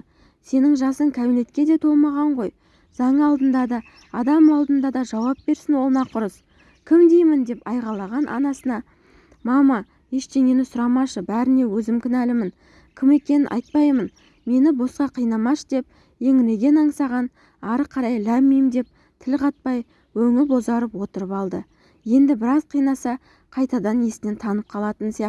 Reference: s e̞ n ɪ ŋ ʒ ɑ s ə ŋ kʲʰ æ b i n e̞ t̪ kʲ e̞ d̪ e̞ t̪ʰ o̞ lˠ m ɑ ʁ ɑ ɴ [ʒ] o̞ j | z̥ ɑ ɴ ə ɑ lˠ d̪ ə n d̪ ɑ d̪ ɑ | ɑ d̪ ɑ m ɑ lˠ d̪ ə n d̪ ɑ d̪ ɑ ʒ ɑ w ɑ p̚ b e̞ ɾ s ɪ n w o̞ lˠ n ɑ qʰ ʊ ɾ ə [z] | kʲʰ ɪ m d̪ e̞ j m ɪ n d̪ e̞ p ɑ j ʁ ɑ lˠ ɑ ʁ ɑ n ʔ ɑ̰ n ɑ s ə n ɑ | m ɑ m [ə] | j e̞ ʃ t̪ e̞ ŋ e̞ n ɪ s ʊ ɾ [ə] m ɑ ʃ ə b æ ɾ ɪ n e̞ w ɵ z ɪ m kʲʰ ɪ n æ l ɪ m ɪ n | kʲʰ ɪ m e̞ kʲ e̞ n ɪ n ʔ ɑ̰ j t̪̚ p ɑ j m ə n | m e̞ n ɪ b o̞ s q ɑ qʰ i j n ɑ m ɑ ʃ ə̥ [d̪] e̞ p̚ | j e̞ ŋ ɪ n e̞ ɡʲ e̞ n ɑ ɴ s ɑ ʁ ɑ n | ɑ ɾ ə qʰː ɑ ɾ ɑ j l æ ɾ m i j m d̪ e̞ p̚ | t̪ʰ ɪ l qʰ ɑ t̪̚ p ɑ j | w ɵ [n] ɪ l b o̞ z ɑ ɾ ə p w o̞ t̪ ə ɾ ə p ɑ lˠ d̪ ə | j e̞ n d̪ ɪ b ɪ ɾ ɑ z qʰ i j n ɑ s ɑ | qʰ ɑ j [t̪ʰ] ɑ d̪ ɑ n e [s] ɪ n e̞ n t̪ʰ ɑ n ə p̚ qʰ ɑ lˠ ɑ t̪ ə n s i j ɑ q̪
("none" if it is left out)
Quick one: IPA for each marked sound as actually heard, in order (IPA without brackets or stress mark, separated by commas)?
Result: ʁ, s, ɑ, ɑ, d̪, ŋ, t̪, s